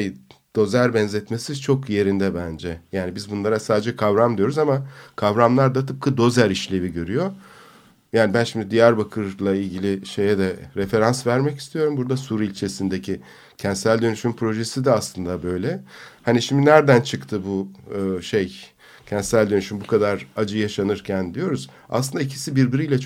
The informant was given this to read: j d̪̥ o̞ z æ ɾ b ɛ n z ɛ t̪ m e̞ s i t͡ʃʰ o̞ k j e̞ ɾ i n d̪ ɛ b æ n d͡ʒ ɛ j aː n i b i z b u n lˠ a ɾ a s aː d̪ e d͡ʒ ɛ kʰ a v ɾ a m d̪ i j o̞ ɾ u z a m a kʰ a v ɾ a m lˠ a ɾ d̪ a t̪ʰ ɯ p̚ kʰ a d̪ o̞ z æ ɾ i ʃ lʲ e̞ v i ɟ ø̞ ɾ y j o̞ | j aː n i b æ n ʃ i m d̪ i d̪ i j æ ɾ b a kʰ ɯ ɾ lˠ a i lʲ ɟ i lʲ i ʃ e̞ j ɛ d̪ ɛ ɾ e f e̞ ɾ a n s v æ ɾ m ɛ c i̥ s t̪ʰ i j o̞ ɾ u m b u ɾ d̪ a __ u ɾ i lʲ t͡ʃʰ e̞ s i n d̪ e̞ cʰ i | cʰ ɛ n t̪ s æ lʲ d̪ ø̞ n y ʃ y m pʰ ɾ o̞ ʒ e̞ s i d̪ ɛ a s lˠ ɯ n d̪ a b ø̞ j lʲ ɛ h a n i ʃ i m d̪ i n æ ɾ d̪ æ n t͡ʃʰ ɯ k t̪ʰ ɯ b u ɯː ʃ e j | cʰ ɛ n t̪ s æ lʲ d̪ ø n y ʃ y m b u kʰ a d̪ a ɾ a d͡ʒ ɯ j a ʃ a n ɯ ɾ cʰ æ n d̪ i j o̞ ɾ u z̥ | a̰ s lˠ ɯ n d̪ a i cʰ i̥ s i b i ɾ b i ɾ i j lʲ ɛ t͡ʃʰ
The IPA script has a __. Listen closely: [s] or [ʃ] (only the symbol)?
s